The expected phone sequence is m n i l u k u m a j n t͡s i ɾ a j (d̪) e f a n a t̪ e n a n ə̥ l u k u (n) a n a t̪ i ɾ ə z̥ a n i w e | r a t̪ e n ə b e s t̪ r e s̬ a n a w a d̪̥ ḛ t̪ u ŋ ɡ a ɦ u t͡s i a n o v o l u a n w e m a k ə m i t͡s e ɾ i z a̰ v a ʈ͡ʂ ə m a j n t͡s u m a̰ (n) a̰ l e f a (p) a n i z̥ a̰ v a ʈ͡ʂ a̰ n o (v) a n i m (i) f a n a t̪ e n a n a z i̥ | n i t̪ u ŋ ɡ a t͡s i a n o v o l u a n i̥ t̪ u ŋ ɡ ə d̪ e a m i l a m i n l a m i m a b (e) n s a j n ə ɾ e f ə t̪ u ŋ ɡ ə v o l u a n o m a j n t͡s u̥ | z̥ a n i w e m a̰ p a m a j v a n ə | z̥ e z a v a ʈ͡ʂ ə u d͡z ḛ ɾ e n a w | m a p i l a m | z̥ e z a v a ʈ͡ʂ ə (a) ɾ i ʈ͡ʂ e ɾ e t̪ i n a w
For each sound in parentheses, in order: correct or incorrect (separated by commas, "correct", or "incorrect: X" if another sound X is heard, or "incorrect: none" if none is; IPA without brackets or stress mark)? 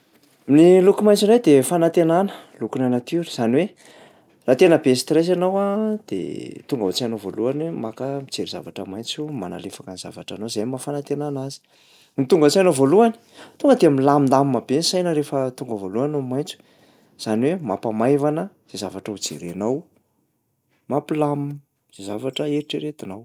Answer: correct, correct, correct, incorrect: k, incorrect: z, incorrect: a, correct, incorrect: e